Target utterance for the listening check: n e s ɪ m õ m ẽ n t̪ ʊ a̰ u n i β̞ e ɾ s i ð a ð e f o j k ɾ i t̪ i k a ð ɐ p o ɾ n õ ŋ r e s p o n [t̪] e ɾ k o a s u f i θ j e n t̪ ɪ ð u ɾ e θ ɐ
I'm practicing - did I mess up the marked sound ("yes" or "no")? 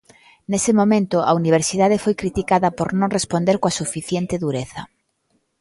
yes